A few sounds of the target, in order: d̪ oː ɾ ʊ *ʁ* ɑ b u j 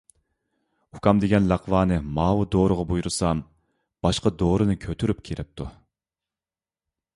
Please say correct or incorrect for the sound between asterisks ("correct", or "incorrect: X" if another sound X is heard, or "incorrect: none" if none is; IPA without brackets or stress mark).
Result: correct